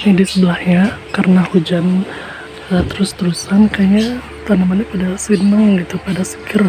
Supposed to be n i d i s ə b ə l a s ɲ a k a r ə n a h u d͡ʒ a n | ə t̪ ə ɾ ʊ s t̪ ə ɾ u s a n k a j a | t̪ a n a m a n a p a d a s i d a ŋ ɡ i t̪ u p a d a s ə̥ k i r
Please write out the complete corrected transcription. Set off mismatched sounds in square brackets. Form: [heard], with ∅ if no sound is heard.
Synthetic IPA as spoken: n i d i s ə b ə l a [h] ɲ a k a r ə n a h u d͡ʒ a n | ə t̪ ə ɾ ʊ s t̪ ə ɾ u s a n k a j a | t̪ a n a m a n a p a d a s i [n] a ŋ ɡ i t̪ u p a d a s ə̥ k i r